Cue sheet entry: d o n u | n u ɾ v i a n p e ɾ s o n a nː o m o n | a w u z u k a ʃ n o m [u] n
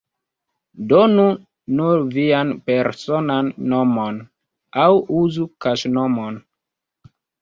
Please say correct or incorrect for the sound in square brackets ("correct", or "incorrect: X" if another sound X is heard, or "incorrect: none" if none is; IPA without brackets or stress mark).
incorrect: o